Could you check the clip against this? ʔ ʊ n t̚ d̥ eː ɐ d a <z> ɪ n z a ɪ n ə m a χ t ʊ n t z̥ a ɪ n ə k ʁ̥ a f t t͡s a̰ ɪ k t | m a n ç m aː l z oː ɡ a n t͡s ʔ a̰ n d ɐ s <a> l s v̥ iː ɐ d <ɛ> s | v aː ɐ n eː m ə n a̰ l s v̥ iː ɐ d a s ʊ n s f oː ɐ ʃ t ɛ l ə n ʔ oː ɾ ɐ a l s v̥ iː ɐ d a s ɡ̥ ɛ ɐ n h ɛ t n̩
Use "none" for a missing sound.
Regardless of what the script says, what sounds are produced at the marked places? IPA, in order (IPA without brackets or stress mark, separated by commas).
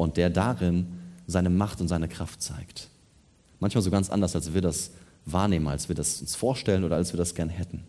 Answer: ʁ, a, a